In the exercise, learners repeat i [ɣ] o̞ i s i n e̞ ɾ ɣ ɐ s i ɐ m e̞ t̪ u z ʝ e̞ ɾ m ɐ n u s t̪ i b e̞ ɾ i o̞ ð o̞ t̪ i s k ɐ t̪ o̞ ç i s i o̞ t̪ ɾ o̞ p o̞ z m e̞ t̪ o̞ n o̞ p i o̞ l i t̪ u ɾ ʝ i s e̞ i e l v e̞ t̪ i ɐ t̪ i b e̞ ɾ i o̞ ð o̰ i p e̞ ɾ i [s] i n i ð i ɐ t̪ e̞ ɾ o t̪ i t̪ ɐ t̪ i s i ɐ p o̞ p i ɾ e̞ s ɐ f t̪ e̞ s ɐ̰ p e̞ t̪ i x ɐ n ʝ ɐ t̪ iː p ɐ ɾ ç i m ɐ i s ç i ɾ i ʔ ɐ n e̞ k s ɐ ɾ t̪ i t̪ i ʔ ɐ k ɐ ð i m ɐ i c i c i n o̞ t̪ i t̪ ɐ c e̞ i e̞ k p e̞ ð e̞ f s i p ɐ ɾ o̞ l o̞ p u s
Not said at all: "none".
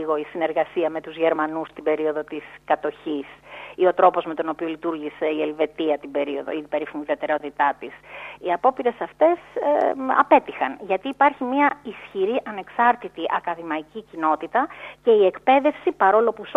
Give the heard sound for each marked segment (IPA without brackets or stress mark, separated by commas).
ɣ, f